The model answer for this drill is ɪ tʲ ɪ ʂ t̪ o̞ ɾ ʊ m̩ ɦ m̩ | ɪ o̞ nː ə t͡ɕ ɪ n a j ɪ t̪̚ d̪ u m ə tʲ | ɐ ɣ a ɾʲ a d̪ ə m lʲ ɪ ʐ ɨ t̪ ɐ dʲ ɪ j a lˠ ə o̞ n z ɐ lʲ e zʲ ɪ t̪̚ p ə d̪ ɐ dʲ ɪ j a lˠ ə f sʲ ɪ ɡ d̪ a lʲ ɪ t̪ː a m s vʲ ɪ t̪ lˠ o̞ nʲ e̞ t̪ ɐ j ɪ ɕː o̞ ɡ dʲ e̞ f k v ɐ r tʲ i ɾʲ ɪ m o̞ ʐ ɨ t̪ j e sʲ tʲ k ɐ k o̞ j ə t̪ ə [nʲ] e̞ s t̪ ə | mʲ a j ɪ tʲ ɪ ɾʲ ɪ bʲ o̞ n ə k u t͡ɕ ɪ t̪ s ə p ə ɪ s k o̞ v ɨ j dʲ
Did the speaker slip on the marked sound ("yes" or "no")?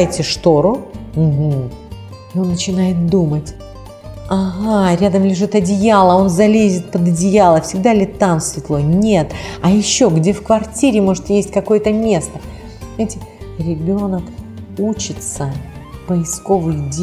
yes